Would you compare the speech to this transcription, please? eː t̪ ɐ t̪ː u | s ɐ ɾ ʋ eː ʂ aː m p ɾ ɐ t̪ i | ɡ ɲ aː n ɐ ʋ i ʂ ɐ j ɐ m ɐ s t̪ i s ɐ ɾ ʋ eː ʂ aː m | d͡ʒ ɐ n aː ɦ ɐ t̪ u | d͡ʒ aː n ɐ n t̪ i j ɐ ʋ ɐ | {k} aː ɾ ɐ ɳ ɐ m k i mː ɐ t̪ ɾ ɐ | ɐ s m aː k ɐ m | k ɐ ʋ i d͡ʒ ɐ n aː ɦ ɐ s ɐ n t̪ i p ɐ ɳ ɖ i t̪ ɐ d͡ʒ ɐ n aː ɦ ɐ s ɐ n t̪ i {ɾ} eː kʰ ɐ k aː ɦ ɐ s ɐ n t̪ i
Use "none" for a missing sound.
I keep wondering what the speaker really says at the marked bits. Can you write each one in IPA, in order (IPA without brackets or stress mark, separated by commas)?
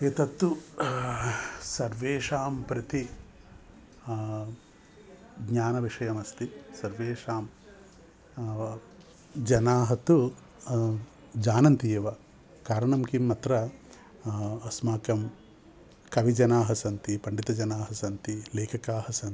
k, l